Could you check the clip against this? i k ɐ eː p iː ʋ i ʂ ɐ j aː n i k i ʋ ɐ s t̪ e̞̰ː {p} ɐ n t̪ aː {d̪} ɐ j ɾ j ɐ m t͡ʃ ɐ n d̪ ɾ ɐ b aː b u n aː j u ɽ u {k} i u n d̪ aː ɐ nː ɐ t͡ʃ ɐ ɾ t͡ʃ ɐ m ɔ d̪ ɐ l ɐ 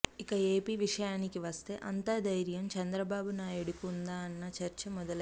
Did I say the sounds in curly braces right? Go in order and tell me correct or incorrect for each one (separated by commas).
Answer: incorrect, correct, correct